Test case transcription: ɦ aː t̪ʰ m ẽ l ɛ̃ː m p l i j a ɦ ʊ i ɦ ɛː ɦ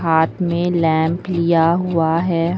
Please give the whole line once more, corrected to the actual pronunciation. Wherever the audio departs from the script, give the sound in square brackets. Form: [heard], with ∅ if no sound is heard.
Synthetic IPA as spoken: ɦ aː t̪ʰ m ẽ l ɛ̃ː m p l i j a ɦ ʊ [a] ɦ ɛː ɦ